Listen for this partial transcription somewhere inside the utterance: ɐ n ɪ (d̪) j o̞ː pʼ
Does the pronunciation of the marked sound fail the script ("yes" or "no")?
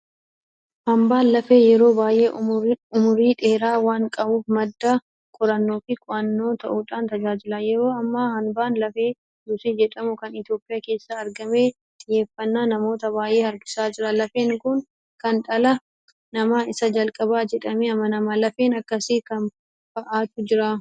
yes